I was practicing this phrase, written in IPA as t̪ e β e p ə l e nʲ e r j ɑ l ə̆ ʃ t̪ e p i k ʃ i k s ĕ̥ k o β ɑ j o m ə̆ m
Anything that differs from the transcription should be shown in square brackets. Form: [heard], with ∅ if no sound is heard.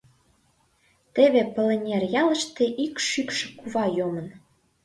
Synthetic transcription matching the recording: t̪ e β e p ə l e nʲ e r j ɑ l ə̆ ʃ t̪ e [ʔ] i k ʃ [y] k [ʃ] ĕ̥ k [u] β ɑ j o m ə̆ [n]